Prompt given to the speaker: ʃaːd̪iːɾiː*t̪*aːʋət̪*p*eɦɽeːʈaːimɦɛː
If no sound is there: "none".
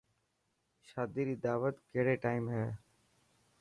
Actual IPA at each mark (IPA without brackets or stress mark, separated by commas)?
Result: d̪, k